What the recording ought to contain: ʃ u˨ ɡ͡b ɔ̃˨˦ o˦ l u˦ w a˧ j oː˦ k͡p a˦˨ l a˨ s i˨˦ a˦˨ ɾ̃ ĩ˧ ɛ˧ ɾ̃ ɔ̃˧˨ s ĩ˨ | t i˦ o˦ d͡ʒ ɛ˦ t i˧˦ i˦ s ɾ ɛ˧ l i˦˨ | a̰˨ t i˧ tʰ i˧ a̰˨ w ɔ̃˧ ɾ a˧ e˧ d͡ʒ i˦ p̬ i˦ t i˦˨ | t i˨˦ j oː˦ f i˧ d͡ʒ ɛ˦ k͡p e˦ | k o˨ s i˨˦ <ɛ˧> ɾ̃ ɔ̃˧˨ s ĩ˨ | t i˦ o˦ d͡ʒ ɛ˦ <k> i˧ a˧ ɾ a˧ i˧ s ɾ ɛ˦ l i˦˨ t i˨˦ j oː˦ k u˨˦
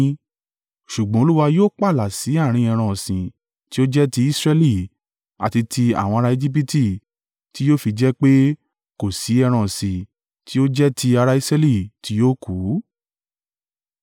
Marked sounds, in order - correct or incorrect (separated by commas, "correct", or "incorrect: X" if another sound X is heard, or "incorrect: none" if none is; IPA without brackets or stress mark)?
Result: correct, incorrect: t